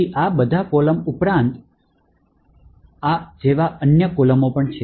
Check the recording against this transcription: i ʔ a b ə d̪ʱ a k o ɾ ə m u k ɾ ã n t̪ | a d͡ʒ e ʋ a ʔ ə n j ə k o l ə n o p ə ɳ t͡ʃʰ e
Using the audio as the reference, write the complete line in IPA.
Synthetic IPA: i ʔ a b ə d̪ʱ a k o l ə m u p ɾ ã n t̪ | a d͡ʒ e ʋ a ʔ ə n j ə k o l ə m o p ə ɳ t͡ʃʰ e